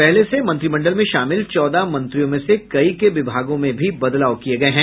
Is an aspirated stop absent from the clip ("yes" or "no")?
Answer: yes